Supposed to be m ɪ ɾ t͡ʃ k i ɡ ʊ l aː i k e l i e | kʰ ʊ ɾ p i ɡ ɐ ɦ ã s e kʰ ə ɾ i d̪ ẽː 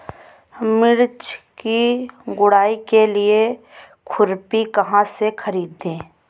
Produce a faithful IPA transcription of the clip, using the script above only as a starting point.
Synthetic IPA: m ɪ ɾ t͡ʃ k i ɡ ʊ ɽ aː i k e l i e | kʰ ʊ ɾ p i k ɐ ɦ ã s e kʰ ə ɾ iː d̪ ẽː